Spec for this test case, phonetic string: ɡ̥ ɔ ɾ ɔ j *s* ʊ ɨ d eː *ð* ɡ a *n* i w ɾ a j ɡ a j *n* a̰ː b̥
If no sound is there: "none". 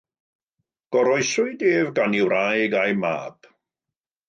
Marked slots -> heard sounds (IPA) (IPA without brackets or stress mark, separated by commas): s, v, n, m